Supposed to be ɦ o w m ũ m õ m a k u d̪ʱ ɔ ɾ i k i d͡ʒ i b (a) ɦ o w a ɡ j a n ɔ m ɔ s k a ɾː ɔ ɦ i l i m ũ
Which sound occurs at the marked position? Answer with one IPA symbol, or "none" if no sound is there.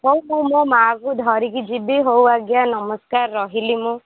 i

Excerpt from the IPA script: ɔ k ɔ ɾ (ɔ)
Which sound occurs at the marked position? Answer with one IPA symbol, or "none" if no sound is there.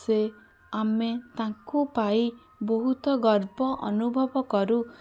u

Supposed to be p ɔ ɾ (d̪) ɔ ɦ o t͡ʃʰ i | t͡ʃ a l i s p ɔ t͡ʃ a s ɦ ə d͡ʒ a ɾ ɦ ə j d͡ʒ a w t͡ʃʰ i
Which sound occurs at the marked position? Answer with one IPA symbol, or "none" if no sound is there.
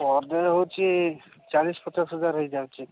d̪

